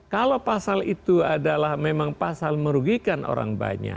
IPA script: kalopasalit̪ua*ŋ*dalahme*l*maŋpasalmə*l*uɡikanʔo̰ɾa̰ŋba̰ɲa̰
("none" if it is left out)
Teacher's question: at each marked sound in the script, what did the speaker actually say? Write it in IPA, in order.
none, none, ɾ

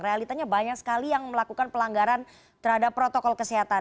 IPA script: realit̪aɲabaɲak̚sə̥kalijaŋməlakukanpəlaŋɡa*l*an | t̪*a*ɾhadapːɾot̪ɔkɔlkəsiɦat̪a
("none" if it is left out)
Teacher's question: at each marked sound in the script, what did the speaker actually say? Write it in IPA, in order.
ɾ, ə

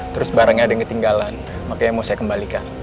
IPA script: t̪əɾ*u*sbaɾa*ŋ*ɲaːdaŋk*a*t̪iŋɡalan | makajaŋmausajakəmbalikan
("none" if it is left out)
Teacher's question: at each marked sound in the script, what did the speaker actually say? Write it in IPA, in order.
ʊ, ŋ, ə

